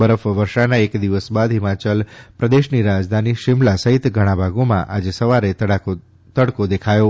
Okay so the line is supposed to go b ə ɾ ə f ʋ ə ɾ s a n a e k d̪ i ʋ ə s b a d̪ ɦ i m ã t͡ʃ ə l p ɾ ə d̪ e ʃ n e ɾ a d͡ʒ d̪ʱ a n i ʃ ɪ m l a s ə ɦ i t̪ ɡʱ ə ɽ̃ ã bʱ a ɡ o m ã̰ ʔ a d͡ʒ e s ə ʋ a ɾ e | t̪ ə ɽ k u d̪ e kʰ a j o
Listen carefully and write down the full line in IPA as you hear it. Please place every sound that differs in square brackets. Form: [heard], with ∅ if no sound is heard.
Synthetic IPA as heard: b ə ɾ ə f ʋ ə ɾ [ʃ] a n a e k d̪ i ʋ ə s b a d̪ ɦ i m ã t͡ʃ ə l p ɾ ə d̪ e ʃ n [i] ɾ a d͡ʒ d̪ʱ a n i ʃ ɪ m l a s ə ɦ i t̪ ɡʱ ə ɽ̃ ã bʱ a ɡ o m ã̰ ʔ a d͡ʒ e s ə ʋ a ɾ e | t̪ ə ɽ k [o] d̪ e kʰ a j o